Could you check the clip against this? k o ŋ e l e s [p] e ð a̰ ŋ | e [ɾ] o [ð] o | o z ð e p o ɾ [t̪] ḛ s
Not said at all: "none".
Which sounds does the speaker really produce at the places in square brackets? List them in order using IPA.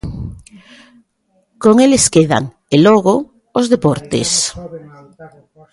k, l, ɣ, t̪

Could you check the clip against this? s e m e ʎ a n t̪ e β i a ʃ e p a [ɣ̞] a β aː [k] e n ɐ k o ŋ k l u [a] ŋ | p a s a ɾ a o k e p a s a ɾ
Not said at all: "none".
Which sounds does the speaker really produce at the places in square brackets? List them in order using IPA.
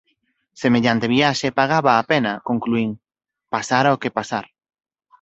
ɣ̞, p, i

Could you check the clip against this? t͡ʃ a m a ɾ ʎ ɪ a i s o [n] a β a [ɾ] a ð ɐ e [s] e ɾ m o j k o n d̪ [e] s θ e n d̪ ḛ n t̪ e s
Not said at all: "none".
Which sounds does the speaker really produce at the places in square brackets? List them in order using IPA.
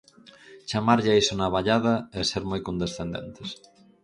n, ʎ, s, e

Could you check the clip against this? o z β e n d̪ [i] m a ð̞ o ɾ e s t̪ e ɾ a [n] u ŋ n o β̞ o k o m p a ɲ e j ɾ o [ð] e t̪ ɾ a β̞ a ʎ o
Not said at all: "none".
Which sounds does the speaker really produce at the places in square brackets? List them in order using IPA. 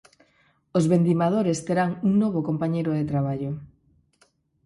i, ŋ, ð

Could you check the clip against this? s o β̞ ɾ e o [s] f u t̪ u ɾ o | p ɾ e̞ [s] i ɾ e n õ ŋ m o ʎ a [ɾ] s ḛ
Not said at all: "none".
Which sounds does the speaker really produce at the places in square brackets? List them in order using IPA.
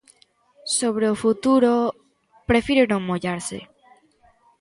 none, f, ɾ

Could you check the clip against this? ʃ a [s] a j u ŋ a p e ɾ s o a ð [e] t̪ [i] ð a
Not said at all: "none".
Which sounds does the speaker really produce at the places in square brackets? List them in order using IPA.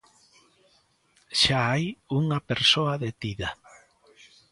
none, e, i

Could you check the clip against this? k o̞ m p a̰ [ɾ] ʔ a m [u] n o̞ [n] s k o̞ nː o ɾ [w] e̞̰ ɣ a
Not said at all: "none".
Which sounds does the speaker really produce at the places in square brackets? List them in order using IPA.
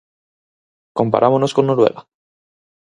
ɾ, o, none, w

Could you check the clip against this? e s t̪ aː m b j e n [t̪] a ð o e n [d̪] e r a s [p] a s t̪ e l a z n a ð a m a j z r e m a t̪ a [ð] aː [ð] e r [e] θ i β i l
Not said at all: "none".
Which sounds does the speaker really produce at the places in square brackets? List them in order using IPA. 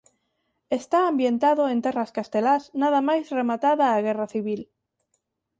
t̪, t̪, k, ð, ɣ, a

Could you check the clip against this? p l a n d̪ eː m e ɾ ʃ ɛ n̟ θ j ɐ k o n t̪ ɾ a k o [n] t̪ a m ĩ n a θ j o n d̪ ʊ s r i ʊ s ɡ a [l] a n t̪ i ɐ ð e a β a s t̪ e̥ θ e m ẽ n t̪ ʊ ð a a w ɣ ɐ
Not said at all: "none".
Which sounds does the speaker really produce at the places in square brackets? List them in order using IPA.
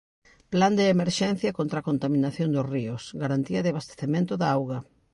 n, ɾ

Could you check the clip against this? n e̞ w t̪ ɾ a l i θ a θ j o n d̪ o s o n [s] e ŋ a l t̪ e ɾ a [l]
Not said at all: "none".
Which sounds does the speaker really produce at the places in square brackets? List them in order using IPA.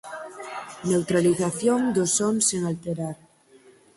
s, ɾ

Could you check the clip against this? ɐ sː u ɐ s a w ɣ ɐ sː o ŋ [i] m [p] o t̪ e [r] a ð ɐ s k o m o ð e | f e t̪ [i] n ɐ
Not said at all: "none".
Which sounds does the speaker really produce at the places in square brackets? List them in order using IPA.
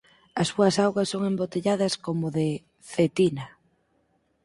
e, b, ʎ, i

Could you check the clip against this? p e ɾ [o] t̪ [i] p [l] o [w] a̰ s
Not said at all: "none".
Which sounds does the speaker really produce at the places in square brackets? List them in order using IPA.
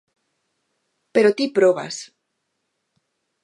o, i, ɾ, β

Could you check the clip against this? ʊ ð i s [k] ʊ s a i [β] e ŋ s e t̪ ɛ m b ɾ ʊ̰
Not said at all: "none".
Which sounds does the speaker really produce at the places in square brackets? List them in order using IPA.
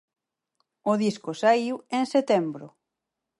k, w

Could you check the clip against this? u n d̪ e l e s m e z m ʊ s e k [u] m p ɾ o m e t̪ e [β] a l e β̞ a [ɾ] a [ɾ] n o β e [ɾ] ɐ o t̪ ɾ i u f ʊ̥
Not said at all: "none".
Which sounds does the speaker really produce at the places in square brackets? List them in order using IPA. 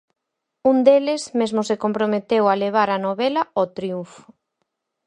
o, w, ɾ, none, l

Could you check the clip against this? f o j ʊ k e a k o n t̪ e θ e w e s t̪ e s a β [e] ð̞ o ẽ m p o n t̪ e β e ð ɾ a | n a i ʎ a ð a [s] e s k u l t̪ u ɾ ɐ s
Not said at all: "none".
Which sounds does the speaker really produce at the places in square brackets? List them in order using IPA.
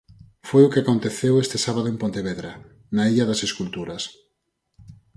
a, s

